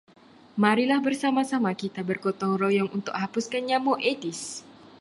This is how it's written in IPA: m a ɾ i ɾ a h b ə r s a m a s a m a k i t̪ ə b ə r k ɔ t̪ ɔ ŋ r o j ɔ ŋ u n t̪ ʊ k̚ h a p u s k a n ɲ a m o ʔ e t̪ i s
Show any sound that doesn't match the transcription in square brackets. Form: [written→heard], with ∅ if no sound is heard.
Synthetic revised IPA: m a ɾ i [ɾ→l] a h b ə r s a m a s a m a k i t̪ [ə→a] b ə r k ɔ t̪ ɔ ŋ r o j ɔ ŋ u n t̪ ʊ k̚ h a p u s k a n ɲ a m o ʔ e t̪ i s